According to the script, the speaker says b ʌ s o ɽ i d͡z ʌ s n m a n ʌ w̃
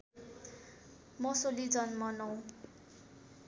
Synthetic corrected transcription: m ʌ s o l i d͡z ʌ n m ʌ n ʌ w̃